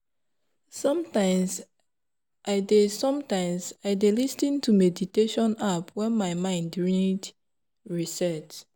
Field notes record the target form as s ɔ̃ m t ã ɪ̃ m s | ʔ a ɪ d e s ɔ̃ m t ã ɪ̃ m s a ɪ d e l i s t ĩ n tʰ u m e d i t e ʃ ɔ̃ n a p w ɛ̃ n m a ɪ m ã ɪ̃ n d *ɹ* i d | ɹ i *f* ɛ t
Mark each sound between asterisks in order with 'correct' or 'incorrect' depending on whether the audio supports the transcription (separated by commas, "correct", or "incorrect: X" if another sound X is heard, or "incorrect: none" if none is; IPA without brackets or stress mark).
correct, incorrect: s